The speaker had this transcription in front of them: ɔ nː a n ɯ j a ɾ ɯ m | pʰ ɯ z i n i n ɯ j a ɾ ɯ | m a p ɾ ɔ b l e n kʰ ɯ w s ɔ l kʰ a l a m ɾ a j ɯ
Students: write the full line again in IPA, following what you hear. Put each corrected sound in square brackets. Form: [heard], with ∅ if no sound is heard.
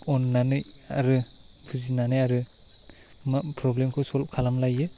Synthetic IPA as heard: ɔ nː a n ɯ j a ɾ ɯ [∅] | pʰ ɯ z i n [a] n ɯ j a ɾ ɯ | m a p ɾ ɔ b l e [m] kʰ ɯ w s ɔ l kʰ a l a m [l] a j ɯ